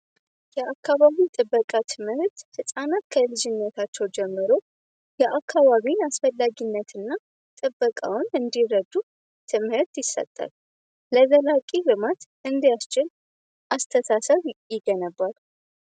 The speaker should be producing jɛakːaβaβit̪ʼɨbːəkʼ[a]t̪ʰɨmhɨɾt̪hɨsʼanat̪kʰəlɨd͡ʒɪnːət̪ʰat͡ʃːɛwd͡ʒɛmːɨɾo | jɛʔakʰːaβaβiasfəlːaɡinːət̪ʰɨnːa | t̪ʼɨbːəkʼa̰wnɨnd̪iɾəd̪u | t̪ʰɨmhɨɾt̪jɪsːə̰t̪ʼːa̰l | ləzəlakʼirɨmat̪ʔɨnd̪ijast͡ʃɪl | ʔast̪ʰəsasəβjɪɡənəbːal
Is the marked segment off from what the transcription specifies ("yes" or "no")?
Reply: no